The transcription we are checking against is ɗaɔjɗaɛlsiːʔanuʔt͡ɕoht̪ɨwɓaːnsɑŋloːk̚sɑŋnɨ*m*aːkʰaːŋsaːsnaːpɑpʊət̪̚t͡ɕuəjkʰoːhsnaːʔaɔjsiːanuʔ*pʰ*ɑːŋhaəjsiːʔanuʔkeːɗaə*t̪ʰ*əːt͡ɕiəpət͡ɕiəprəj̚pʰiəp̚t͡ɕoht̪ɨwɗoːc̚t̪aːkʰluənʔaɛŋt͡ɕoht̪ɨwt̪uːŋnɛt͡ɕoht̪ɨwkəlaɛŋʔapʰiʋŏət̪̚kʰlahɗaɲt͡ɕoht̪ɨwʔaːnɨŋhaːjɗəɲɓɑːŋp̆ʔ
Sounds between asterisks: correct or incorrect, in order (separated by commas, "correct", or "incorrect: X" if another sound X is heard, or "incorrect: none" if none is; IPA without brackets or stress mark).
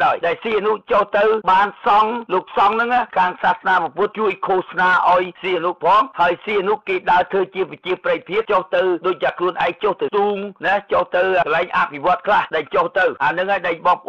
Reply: incorrect: ŋ, correct, correct